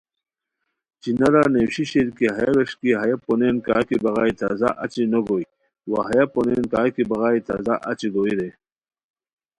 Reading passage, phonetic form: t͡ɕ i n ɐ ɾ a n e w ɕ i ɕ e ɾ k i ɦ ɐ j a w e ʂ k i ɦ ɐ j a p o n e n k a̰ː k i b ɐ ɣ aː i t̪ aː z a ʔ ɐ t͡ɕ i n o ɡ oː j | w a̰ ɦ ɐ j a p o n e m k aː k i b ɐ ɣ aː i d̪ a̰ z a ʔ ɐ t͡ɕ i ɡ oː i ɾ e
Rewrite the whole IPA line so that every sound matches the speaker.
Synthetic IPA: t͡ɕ i n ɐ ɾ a n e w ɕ i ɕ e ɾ k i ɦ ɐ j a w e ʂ k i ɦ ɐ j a p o n e n k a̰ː k i b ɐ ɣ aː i t̪ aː z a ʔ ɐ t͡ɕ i n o ɡ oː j | w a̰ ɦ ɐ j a p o n e n k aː k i b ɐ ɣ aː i t̪ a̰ z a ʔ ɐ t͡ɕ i ɡ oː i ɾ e